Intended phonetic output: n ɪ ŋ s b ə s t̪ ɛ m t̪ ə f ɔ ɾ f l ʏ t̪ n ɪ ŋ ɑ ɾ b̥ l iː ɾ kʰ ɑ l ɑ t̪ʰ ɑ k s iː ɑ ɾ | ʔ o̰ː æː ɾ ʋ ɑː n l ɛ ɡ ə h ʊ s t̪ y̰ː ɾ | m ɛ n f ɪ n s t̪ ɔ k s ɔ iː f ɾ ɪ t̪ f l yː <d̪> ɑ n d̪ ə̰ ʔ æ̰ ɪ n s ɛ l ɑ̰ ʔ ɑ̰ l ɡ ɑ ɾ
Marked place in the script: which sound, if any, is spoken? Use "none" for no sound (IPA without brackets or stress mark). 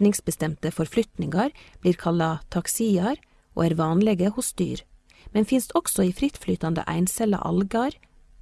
t̪